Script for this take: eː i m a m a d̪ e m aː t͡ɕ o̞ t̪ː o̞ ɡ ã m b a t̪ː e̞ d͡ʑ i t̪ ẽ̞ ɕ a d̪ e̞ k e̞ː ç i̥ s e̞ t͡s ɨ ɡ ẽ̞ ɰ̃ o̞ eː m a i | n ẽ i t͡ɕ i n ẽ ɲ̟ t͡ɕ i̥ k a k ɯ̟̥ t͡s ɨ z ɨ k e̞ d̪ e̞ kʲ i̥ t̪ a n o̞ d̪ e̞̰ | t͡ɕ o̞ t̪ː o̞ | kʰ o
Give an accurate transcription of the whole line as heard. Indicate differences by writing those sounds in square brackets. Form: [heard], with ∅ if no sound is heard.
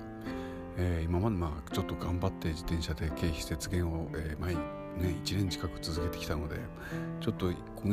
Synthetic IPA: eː i m a m a d̪ e m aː t͡ɕ o̞ t̪ː o̞ ɡ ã m b a t̪ː e̞ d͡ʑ i t̪ ẽ̞ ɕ a d̪ e̞ k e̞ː ç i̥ s e̞ t͡s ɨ ɡ ẽ̞ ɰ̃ o̞ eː m a i | n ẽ i t͡ɕ i n ẽ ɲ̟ t͡ɕ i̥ k a k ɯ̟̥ t͡s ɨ z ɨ k e̞ [t̪] e̞ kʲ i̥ t̪ a n o̞ d̪ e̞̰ | t͡ɕ o̞ t̪ː o̞ | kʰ o